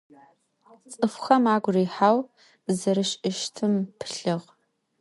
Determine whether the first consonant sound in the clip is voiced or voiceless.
voiceless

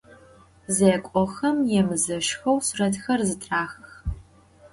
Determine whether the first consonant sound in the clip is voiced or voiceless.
voiced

